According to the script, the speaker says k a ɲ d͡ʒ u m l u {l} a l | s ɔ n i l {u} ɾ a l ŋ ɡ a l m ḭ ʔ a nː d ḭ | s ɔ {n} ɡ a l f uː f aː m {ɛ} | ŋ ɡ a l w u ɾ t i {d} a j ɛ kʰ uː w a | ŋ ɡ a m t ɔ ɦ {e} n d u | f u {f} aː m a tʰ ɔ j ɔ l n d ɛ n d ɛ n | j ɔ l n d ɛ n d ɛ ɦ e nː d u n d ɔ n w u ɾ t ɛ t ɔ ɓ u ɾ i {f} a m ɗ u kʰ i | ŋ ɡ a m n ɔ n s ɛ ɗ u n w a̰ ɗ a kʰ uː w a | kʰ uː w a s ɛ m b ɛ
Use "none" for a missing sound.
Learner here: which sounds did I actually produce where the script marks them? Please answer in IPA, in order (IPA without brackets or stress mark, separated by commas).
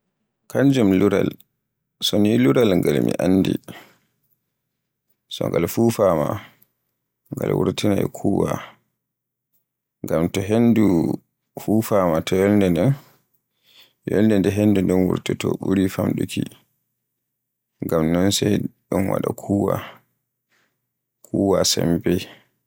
ɾ, u, ŋ, a, n, e, f, f